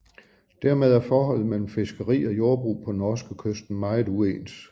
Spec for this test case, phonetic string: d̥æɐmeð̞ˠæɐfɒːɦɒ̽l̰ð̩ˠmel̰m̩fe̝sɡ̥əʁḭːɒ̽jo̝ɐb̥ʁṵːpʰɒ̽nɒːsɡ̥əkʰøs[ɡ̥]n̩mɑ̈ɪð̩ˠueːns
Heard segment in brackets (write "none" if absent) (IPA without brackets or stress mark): d̥